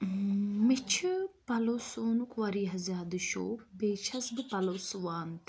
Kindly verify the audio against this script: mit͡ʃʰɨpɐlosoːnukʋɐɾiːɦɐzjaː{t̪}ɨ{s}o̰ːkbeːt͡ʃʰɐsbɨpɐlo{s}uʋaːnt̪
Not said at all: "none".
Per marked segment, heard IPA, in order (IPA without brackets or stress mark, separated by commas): d̪, ʃ, s